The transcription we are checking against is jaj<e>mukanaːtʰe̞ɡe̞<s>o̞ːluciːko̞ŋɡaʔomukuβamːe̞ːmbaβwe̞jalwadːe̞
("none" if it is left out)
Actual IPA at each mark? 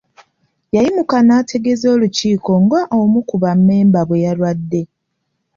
i, z

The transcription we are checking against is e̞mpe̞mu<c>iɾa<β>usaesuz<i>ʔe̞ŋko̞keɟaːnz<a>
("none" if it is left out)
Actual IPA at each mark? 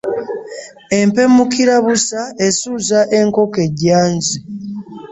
k, β, a, i

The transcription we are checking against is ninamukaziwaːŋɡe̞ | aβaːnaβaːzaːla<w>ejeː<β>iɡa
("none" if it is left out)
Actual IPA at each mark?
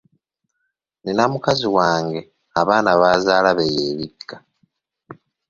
β, β

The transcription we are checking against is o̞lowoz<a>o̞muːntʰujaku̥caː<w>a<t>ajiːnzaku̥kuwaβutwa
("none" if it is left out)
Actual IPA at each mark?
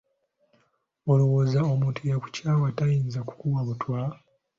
a, w, t

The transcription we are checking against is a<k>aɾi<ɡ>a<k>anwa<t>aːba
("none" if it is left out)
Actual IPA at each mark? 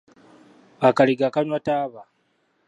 k, ɡ, k, t

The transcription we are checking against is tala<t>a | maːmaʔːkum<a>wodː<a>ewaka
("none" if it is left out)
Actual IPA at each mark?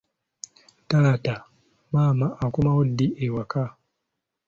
t, a, i

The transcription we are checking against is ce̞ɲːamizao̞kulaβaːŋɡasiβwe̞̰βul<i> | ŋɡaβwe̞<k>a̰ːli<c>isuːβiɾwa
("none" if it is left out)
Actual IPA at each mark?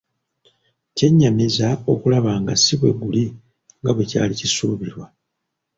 i, c, c

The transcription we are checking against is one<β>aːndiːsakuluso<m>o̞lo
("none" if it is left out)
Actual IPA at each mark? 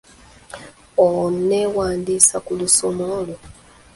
w, m

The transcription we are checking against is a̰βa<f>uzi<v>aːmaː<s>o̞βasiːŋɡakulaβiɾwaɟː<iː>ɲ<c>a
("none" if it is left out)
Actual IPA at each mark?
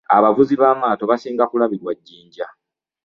v, β, t, iː, ɟ

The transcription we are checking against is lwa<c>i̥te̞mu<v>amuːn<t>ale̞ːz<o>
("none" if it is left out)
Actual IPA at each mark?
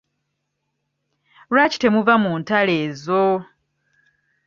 c, v, t, o

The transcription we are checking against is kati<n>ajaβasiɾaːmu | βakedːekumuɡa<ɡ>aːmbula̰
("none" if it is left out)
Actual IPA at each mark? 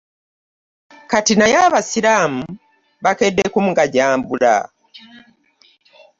n, ɟ

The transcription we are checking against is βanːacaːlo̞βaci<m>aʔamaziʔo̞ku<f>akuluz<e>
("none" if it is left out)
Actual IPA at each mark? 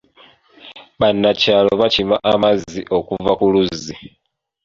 m, v, i

